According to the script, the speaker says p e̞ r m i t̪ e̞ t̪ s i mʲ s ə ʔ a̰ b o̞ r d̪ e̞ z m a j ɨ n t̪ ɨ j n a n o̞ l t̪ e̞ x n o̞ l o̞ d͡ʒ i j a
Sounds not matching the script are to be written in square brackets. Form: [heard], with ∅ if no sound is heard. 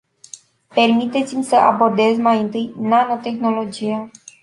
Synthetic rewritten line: p e̞ r m i t̪ e̞ t̪ s i mʲ s ə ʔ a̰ b o̞ r d̪ e̞ z m a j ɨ n t̪ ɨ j n a n o̞ [∅] t̪ e̞ x n o̞ l o̞ d͡ʒ i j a

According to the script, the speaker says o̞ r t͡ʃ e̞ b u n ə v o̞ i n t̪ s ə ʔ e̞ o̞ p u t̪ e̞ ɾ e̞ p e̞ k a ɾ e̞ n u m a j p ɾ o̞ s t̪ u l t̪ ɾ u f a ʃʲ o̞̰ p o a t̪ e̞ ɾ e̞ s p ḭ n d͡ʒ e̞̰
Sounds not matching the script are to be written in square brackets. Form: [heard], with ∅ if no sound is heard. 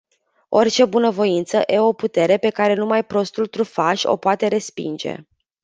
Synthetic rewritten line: o̞ r t͡ʃ e̞ b u n ə v o̞ i n t̪ s ə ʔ e̞ o̞ p u t̪ e̞ ɾ e̞ p e̞ k a ɾ e̞ n u m a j p ɾ o̞ s t̪ u l t̪ ɾ u f a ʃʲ o̞̰ p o a t̪ e̞ ɾ e̞ s p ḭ n d͡ʒ e̞̰

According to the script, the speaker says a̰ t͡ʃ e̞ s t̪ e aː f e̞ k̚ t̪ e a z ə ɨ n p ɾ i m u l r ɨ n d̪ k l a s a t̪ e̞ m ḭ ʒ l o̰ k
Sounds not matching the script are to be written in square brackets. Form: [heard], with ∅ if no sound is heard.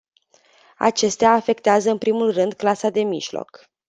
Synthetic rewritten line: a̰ t͡ʃ e̞ s t̪ e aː f e̞ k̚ t̪ e a z ə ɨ n p ɾ i m u l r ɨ n d̪ k l a s a [d̪] e̞ m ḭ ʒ l o̰ k

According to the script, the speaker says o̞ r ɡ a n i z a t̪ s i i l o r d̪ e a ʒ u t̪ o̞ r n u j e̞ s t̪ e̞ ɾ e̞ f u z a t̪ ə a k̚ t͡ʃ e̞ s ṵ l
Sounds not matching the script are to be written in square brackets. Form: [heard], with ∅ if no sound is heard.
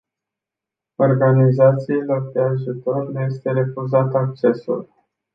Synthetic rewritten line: o̞ r ɡ a n i z a t̪ s i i l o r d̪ e a ʒ u t̪ o̞ r n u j e̞ s t̪ e̞ ɾ e̞ f u z a t̪ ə a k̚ t͡ʃ e̞ s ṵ l

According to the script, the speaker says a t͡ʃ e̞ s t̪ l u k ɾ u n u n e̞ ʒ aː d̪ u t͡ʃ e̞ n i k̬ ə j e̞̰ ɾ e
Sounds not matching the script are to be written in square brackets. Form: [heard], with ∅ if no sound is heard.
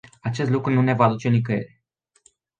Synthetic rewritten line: a t͡ʃ e̞ s t̪ l u k ɾ u n u n e̞ [v] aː d̪ u t͡ʃ e̞ n i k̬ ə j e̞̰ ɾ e

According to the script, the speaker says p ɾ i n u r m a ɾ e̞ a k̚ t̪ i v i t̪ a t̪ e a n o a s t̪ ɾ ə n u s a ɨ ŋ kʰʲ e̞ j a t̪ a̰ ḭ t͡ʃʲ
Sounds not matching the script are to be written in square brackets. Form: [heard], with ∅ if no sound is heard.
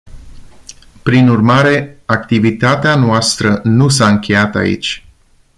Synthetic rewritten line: p ɾ i n u r m a ɾ e̞ a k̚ t̪ i v i t̪ a t̪ e a n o a s t̪ ɾ ə n u s a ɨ ŋ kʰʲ e̞ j a t̪ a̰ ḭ t͡ʃʲ

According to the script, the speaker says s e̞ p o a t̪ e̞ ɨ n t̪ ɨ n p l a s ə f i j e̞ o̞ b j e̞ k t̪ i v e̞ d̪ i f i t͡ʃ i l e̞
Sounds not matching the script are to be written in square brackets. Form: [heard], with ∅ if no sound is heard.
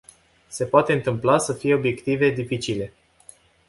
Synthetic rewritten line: s e̞ p o a t̪ e̞ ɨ n t̪ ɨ [m] p l a s ə f i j e̞ o̞ b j e̞ k t̪ i v e̞ d̪ i f i t͡ʃ i l e̞

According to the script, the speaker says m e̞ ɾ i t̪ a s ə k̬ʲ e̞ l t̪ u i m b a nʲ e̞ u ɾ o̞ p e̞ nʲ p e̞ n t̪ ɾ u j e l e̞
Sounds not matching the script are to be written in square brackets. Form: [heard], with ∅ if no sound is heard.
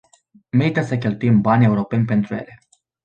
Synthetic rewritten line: m e̞ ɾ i t̪ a s ə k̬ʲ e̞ l t̪ u i m b a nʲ e̞ u ɾ o̞ p e̞ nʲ p e̞ n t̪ ɾ u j e l e̞

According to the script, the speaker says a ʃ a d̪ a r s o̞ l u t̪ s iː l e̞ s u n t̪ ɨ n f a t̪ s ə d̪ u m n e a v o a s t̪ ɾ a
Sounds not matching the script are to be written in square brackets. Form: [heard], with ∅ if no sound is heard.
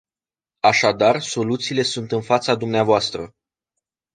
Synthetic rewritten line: a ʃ a d̪ a r s o̞ l u t̪ s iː l e̞ s u n t̪ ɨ n f a t̪ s [a] d̪ u m n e a v o a s t̪ ɾ [ə]

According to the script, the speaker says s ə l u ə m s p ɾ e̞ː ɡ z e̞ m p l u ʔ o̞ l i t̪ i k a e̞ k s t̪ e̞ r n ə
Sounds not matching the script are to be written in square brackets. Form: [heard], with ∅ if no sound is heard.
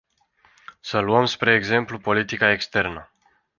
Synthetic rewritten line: s ə l u ə m s p ɾ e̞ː ɡ z e̞ m p l u [p] o̞ l i t̪ i k a e̞ k s t̪ e̞ r n ə

